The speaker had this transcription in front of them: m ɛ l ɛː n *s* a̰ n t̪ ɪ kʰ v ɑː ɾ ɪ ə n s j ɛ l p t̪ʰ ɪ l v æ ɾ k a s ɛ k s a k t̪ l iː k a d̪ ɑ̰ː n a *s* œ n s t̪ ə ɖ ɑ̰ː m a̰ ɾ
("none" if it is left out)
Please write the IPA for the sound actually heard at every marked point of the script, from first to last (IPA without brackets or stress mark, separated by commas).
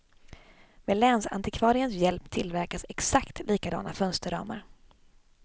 s, f